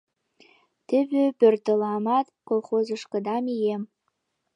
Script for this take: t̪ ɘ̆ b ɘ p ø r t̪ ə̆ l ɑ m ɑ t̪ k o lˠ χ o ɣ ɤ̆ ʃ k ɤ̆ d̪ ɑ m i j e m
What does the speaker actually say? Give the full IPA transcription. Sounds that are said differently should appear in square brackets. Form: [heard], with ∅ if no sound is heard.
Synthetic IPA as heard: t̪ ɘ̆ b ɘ p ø r t̪ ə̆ l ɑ m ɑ t̪ k o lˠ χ o [z] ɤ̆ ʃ k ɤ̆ d̪ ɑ m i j e m

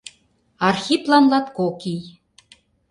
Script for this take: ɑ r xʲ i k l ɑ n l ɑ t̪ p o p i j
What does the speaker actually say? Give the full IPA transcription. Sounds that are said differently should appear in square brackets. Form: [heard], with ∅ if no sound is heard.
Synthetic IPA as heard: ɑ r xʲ i [p] l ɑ n l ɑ t̪ [k] o [k] i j

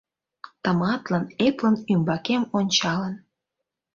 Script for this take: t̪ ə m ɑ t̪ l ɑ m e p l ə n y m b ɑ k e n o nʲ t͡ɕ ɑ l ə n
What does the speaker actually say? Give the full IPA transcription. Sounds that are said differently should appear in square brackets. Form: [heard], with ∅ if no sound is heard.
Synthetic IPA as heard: t̪ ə m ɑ t̪ l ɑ [n] e p l ə n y m b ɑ k e [m] o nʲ t͡ɕ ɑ l ə n

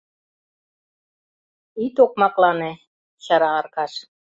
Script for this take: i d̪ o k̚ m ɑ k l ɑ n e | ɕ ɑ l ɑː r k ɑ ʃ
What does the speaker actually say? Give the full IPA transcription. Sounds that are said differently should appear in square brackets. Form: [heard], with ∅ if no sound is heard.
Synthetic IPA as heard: i [t̪] o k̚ m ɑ k l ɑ n e | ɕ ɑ [ɾ] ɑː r k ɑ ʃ

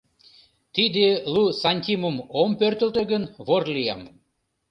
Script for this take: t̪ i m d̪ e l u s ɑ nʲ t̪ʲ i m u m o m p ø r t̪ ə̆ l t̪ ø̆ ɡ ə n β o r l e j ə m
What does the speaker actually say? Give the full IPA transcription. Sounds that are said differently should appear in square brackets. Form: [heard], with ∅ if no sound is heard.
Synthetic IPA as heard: t̪ i [∅] d̪ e l u s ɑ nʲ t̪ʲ i m u m o m p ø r t̪ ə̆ l t̪ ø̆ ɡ ə n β o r l [i] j [ɑ] m

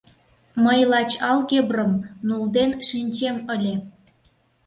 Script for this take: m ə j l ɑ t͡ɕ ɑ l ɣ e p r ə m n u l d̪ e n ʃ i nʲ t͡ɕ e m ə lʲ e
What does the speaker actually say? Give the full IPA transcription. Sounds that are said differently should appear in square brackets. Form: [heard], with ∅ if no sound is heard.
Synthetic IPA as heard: m ə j l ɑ t͡ɕ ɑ l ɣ e [b] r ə m n u l d̪ e n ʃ i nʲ t͡ɕ e m ə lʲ e

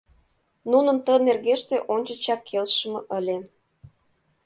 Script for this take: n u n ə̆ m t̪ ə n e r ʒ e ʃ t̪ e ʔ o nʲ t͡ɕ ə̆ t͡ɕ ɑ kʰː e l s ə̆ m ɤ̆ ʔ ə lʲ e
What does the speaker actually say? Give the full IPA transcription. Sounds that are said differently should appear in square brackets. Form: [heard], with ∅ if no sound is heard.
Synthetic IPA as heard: n u n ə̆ [n] t̪ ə n e r [ɣ] e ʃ t̪ e ʔ o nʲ t͡ɕ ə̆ t͡ɕ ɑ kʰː e l [ʃ] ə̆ m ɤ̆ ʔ ə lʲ e

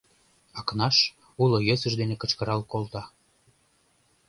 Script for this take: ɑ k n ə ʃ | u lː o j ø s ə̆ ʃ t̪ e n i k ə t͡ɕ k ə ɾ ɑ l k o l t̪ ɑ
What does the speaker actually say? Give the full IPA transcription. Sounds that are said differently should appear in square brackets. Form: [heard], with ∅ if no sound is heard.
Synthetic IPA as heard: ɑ k n [ɑ] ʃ | u [l] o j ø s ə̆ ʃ [d̪] e n [e] k ə t͡ɕ k ə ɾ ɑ l k o l t̪ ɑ

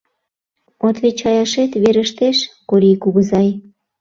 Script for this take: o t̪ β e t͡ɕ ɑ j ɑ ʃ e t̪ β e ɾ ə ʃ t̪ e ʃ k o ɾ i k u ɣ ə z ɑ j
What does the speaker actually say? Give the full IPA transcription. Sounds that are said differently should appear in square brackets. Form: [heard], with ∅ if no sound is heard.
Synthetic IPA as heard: o t̪ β e t͡ɕ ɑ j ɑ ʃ e t̪ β e ɾ ə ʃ t̪ e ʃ k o ɾ i k u ɣ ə z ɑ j

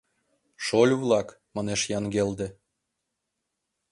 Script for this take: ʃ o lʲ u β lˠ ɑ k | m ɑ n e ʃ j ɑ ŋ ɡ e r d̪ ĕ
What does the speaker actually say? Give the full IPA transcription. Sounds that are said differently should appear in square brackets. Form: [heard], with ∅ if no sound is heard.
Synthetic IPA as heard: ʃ o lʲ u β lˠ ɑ k | m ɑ n e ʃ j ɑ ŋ ɡ e [l] d̪ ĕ

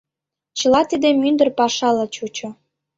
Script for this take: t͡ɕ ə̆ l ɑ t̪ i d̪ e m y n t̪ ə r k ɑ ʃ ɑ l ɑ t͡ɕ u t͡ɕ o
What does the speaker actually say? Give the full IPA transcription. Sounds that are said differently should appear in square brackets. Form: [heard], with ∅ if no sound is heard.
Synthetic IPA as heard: t͡ɕ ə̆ l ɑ t̪ i d̪ e m y n [d̪] ə r [p] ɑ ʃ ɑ l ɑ t͡ɕ u t͡ɕ o

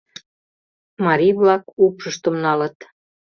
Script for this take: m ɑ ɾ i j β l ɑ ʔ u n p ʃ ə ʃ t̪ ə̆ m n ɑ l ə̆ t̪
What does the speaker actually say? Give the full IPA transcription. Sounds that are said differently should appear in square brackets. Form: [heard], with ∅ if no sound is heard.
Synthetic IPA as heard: m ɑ ɾ i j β l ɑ [k] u [∅] p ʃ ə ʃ t̪ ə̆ m n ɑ l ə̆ t̪

